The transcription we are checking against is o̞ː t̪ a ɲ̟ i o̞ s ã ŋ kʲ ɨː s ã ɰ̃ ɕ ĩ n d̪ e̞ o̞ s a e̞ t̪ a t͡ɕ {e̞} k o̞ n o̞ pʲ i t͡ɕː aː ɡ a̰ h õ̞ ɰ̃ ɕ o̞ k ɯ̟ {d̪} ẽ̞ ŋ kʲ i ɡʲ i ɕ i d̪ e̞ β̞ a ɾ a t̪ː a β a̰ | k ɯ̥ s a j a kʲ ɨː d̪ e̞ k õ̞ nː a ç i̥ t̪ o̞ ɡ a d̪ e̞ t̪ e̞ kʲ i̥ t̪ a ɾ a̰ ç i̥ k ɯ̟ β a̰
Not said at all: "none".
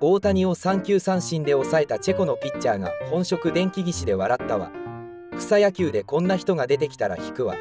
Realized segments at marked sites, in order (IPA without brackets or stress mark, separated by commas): e̞, d̪